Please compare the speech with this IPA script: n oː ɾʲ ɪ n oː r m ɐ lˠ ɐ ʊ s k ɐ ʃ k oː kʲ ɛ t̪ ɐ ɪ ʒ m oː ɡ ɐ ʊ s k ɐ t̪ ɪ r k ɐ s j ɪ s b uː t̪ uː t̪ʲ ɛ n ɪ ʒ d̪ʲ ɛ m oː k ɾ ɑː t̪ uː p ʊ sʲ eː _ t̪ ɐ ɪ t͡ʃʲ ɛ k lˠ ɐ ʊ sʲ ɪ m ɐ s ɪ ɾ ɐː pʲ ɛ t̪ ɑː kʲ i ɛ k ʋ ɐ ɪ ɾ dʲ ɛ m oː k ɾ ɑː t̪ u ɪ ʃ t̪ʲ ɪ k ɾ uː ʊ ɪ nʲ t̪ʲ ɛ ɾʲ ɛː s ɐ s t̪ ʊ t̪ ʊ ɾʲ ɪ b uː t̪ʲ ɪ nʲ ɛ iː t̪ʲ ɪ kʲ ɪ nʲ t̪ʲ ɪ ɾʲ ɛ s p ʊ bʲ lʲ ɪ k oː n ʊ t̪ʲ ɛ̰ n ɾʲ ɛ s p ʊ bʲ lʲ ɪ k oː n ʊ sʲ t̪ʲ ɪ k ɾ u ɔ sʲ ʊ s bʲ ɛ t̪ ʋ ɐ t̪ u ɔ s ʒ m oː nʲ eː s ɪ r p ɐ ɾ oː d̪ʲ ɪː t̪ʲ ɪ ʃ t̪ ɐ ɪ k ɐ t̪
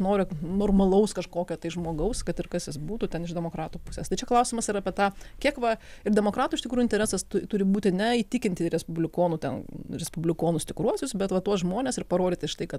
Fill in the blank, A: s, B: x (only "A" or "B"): A